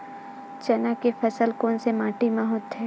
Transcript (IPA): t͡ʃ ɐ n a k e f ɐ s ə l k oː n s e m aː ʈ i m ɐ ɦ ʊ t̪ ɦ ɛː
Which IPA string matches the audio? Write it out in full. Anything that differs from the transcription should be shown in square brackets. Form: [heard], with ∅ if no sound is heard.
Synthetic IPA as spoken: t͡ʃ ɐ n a k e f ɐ s ə l k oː n s e m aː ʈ i m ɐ ɦ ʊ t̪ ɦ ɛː